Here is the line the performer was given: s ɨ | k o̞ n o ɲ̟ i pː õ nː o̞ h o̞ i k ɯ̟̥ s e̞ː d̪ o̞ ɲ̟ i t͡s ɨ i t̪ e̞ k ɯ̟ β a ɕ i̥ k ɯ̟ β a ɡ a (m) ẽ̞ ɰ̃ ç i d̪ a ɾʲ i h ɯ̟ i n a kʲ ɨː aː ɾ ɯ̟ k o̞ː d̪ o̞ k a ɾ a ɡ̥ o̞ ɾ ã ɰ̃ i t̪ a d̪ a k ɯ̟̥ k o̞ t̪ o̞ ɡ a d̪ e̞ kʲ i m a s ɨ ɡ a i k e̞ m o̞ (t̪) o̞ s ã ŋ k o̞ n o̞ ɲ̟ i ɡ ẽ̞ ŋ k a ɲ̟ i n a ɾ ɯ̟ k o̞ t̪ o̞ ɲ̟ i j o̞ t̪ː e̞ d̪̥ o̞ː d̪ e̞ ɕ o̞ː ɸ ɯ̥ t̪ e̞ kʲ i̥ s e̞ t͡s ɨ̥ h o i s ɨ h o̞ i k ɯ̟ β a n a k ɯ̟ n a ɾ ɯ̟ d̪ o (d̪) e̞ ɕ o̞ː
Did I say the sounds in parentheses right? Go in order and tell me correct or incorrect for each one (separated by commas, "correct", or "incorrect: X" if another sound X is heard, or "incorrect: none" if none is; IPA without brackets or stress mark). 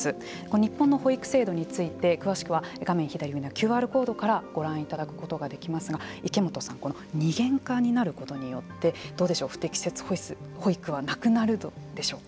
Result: correct, correct, correct